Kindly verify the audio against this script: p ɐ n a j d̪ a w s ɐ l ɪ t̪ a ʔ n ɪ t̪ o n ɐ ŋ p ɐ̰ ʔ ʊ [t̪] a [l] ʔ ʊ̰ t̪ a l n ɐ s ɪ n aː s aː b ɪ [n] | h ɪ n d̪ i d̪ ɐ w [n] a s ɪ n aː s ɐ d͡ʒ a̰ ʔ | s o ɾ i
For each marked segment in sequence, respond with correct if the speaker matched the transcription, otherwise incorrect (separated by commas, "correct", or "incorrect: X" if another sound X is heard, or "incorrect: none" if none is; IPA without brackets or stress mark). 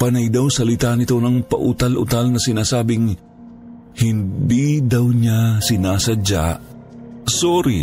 correct, correct, incorrect: ŋ, incorrect: ɲ